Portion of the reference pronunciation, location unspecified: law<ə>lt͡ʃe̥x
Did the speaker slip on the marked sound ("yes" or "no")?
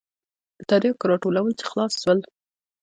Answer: no